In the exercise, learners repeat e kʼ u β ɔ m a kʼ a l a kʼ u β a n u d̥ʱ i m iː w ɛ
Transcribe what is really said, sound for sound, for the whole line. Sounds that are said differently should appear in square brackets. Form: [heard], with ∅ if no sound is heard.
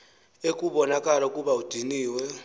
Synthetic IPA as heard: e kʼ u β ɔ [n] a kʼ a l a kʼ u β a [∅] u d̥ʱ i [n] iː w ɛ